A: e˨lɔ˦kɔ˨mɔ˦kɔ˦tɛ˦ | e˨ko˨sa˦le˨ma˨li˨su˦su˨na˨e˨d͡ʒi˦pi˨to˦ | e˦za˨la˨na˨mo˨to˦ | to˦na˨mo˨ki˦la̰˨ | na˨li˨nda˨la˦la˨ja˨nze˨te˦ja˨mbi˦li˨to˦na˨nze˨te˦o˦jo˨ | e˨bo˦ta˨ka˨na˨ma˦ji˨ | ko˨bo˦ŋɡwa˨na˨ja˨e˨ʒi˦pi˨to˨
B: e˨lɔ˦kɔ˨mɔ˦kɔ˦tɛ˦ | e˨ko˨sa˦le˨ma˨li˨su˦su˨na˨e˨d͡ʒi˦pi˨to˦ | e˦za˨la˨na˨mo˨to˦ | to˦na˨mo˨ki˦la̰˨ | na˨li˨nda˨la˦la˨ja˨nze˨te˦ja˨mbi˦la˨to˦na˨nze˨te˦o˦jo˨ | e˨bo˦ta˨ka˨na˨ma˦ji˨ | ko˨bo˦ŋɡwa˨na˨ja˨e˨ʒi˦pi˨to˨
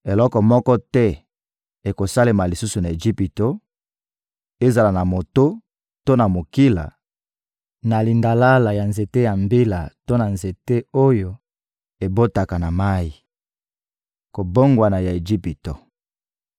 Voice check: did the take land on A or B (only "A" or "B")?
B